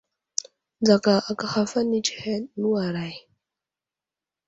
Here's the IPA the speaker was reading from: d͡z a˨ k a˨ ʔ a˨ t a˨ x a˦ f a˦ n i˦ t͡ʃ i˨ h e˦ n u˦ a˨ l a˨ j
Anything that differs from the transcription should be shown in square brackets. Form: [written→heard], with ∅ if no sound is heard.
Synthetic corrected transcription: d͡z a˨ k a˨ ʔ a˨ [t→k] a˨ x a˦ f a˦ n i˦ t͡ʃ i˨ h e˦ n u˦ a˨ [l→ɾ] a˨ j